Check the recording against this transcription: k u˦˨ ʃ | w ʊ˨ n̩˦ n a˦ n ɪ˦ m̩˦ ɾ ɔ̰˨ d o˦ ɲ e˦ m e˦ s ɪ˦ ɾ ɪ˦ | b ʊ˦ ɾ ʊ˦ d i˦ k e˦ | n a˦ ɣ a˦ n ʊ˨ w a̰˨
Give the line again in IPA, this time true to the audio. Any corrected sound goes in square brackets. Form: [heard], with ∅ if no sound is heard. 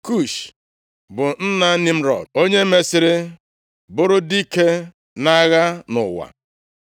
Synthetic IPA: k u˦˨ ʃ | [b] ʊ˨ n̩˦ n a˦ n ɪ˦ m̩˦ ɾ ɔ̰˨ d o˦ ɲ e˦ m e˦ s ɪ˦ ɾ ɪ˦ | b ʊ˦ ɾ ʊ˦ d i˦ k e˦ | n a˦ ɣ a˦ n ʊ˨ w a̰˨

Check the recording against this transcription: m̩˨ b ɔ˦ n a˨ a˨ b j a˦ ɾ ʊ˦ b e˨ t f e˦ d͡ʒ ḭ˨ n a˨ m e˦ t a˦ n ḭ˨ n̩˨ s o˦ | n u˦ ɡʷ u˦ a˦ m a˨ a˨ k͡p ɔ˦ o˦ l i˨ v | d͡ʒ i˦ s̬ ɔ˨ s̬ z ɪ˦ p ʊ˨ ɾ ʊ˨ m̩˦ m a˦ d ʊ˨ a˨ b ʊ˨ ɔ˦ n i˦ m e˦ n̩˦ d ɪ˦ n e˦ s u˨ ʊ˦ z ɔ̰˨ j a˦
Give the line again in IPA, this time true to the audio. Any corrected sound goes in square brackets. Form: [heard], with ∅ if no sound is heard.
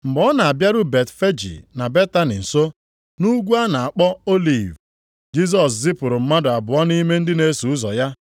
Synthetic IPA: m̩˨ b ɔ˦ n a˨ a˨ b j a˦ ɾ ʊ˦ b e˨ t f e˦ d͡ʒ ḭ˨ n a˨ [b] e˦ t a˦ n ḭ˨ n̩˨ s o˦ | n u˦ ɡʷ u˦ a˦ [n] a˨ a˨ k͡p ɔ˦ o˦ l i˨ v | d͡ʒ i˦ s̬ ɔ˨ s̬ z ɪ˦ p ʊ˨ ɾ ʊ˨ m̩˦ m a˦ d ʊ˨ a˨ b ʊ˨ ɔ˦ n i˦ m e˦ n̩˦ d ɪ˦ n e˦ s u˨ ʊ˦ z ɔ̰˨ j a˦

